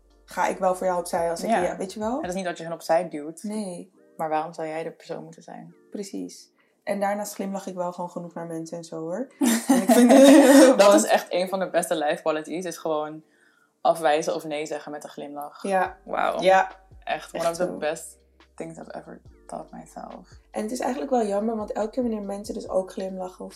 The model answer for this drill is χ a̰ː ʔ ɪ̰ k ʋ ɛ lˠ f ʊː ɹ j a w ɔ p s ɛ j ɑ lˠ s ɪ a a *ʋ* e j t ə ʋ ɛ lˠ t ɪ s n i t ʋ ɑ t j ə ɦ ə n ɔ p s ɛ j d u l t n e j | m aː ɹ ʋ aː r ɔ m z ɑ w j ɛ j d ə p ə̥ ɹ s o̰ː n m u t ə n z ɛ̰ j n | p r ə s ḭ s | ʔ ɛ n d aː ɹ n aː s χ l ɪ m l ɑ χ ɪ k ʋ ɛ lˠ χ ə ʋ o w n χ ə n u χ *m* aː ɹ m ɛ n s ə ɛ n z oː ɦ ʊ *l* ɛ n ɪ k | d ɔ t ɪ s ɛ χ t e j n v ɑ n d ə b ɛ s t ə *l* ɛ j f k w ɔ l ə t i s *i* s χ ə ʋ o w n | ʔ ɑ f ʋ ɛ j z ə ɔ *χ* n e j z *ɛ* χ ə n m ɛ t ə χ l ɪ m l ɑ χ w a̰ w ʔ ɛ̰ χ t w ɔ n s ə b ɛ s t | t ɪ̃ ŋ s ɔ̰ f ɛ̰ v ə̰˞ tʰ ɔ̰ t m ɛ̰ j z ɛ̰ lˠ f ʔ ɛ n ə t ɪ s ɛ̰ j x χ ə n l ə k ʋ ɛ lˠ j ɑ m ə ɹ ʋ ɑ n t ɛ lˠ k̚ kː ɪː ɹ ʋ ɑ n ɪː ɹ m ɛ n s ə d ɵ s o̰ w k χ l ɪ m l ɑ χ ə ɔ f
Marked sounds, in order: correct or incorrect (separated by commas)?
correct, incorrect, incorrect, correct, incorrect, incorrect, correct